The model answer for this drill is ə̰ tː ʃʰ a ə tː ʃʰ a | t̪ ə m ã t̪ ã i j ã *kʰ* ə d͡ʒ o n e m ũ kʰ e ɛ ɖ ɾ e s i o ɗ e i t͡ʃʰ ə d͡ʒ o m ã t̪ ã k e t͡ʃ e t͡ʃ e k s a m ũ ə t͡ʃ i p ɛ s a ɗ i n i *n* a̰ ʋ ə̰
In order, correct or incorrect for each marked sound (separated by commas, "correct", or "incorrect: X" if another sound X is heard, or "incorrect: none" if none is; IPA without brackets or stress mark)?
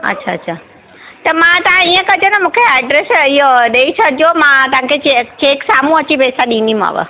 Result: incorrect: k, incorrect: m